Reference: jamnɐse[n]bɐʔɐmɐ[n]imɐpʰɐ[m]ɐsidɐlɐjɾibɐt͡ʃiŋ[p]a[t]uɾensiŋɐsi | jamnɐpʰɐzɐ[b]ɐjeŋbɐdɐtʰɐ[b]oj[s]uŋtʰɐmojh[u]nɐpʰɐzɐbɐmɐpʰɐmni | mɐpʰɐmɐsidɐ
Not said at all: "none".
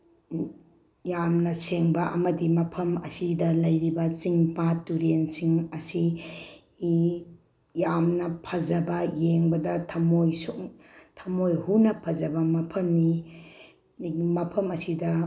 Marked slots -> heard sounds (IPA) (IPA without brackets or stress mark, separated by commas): ŋ, d, m, p, t, b, m, s, u